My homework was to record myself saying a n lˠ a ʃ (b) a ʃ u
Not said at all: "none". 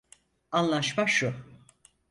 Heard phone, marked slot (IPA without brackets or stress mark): m